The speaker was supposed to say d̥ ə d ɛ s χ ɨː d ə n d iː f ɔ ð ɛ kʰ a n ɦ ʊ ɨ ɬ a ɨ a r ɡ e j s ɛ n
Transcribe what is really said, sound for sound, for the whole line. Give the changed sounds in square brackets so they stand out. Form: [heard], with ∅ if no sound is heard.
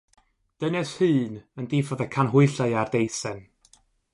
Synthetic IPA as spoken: d̥ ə [n] ɛ s [h] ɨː [n] ə n d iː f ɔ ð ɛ kʰ a n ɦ ʊ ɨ ɬ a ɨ a r [d] e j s ɛ n